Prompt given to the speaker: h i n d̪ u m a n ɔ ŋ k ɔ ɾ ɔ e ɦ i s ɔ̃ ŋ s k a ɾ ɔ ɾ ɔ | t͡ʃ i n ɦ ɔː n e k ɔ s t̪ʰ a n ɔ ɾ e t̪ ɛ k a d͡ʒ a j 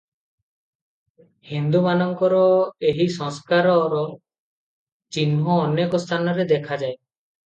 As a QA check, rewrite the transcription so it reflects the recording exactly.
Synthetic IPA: h i n d̪ u m a n ɔ ŋ k ɔ ɾ ɔ e ɦ i s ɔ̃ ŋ s k a ɾ ɔ ɾ ɔ | t͡ʃ i n ɦ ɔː n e k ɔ s t̪ʰ a n ɔ ɾ e d̪ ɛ kʰ a d͡ʒ a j